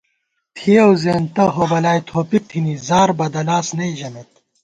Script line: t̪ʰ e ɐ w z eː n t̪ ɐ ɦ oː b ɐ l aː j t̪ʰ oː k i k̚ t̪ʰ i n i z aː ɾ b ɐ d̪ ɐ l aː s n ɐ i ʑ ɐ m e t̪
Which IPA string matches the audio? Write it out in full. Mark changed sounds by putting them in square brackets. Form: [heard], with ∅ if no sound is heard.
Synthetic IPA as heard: t̪ʰ [i] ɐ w z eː n t̪ ɐ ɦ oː b ɐ l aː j t̪ʰ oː [p] i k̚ t̪ʰ i n i z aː ɾ b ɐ d̪ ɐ l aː s n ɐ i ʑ ɐ m e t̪